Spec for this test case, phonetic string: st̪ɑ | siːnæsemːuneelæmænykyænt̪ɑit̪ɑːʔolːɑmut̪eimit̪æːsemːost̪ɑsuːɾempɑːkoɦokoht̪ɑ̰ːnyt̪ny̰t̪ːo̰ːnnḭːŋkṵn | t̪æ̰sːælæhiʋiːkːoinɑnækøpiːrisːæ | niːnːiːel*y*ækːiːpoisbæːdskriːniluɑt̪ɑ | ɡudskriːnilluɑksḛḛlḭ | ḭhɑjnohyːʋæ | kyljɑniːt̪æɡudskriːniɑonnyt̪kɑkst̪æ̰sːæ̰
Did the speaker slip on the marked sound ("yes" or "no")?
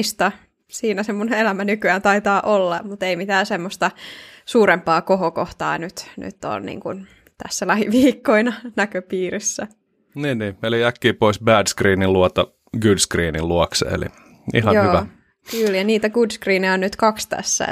yes